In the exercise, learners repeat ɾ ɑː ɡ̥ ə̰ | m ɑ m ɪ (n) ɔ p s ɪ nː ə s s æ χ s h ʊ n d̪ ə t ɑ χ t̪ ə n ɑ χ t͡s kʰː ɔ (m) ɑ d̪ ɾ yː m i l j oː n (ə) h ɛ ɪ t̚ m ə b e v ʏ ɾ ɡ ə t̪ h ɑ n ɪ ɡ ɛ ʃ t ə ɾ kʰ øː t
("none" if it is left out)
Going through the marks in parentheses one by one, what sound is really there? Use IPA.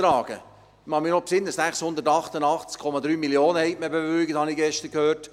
n, m, ə

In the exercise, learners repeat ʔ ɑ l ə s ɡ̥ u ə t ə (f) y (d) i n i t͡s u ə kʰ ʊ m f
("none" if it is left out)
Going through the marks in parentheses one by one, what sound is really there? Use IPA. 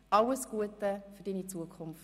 f, d

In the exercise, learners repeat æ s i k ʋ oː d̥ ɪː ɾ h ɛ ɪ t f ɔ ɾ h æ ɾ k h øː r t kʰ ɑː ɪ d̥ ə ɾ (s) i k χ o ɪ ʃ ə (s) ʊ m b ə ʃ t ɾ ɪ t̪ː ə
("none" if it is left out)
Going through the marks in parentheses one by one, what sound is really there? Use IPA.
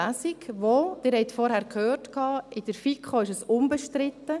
f, s

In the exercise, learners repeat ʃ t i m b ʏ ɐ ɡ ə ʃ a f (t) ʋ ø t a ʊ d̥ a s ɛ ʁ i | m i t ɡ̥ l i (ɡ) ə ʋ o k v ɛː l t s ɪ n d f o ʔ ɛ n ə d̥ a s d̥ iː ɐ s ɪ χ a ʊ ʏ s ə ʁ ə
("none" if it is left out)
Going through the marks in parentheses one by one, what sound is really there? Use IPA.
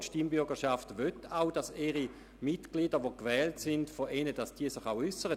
t, d

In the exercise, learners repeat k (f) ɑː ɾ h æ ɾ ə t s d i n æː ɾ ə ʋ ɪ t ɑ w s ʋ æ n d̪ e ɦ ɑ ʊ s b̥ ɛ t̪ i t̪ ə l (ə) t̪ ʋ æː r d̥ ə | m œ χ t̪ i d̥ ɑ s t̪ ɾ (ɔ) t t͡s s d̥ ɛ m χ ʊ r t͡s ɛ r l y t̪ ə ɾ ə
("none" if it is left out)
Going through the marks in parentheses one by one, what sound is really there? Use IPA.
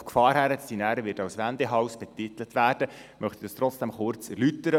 f, ə, ɔ

